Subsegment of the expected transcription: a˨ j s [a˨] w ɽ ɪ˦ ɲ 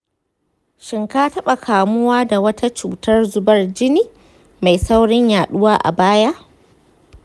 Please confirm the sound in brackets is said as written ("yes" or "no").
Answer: no